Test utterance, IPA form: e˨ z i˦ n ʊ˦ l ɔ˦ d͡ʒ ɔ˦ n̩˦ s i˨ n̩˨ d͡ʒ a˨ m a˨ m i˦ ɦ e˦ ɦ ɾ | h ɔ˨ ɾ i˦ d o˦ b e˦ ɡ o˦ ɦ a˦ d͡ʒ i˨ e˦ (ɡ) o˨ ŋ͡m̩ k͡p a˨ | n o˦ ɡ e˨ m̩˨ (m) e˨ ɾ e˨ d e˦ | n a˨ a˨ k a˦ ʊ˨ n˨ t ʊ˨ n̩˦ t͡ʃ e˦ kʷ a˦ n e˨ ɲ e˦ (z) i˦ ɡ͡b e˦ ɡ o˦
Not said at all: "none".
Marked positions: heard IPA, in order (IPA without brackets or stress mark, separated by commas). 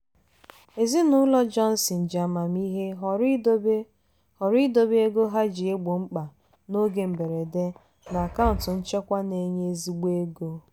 ɡ͡b, b, z